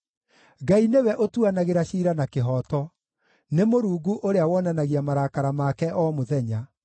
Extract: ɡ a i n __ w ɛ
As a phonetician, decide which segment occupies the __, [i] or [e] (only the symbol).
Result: e